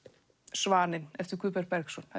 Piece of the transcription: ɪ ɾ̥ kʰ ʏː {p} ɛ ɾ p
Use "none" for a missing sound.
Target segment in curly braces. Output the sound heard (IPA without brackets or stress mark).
p